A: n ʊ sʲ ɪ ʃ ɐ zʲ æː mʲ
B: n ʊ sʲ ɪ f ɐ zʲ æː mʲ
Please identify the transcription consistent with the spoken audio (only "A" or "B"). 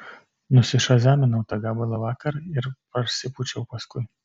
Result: A